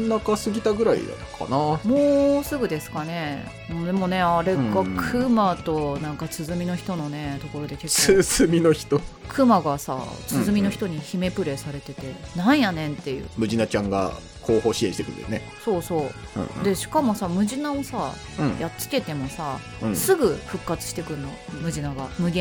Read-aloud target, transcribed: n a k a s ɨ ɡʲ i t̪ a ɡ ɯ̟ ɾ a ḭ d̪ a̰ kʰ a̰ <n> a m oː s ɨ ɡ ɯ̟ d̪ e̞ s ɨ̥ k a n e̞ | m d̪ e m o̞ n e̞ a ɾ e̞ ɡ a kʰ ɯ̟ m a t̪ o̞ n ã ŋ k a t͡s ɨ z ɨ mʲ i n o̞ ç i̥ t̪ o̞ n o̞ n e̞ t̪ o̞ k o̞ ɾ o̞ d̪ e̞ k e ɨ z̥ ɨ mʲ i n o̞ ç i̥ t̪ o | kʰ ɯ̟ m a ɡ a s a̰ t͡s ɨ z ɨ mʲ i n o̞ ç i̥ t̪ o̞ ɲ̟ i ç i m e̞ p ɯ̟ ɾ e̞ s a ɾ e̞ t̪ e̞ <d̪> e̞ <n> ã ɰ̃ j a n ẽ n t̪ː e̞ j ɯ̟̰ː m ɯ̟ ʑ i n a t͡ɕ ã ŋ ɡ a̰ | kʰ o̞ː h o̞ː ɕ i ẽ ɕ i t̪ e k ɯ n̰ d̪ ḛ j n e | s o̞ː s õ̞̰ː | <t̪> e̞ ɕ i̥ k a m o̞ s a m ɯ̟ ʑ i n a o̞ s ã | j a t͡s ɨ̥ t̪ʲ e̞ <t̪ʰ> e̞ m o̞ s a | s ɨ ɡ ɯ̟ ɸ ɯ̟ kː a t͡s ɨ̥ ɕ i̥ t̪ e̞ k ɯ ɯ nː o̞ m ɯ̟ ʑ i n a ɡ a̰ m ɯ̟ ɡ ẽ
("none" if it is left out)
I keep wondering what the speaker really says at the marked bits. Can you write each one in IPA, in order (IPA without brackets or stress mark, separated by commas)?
n, t̪, n, d̪, t̪